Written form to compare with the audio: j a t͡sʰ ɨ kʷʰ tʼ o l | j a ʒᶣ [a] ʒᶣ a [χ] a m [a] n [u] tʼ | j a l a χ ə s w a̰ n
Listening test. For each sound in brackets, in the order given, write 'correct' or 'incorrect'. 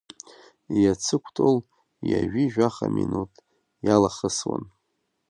incorrect: i, correct, incorrect: i, correct

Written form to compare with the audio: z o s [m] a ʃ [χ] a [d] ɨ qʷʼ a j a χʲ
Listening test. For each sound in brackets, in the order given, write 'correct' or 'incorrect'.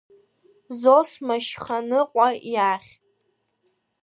correct, correct, incorrect: n

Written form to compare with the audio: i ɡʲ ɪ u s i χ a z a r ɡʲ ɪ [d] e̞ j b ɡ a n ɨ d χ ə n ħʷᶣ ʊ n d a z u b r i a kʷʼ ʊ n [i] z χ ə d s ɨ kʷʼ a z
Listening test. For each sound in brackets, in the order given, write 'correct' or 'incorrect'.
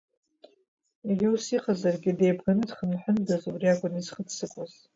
correct, correct

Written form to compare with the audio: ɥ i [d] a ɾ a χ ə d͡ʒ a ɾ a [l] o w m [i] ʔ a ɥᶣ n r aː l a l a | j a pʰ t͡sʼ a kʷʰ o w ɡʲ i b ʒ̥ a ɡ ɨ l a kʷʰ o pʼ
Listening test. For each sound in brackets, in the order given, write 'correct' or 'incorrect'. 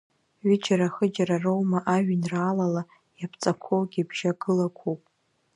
incorrect: d͡ʒ, incorrect: r, incorrect: a

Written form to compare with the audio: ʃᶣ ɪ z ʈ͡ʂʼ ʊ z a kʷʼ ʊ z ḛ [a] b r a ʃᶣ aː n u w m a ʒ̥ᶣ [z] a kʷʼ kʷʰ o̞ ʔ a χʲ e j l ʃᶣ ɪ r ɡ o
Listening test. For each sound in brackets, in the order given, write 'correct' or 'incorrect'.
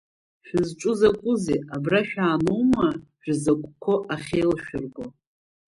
correct, correct

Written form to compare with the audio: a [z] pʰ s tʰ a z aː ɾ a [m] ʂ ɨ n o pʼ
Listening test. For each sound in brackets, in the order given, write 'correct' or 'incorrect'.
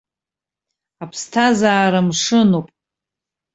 incorrect: none, correct

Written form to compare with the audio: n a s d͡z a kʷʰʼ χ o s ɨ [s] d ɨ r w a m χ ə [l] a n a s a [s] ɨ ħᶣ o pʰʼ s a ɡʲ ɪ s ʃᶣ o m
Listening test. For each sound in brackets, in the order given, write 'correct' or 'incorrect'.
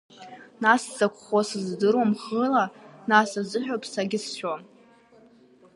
incorrect: z, correct, incorrect: z

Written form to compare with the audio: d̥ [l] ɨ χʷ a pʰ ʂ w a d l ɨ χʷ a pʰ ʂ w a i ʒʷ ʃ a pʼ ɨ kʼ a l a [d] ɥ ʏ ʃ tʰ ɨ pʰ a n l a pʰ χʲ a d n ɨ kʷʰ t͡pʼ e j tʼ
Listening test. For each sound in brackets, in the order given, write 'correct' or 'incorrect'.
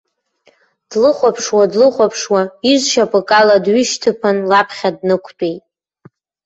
correct, correct

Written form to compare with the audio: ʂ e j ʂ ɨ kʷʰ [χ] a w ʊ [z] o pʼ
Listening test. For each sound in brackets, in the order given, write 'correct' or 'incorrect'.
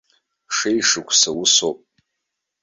incorrect: s, incorrect: s

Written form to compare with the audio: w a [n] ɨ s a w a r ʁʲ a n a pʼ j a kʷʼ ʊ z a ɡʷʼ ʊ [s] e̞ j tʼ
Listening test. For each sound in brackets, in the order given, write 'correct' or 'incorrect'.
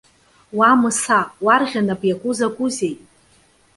incorrect: m, incorrect: z

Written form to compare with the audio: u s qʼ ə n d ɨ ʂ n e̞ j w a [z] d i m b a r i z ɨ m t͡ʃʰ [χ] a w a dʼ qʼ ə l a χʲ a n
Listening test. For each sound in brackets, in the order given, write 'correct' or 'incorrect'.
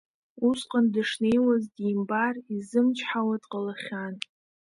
correct, incorrect: ħ

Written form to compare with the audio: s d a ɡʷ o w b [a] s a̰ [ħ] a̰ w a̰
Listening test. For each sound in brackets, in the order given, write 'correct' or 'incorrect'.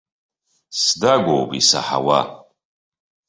incorrect: i, correct

